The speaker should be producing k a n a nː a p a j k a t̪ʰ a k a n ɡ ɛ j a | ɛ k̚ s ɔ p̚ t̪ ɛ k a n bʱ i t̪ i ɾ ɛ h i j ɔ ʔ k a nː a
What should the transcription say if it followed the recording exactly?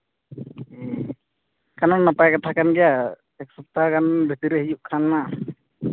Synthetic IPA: k a n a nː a p a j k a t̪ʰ a k a n ɡ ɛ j a | ɛ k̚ s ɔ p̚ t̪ a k a n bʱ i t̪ i ɾ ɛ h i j u ʔ kʰ a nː a